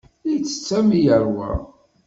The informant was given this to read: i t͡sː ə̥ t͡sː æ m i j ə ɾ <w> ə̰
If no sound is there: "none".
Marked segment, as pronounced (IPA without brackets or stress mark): w